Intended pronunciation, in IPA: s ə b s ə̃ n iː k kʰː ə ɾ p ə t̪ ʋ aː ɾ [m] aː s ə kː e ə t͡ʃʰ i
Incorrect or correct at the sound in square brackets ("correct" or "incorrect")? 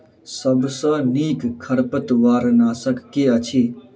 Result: incorrect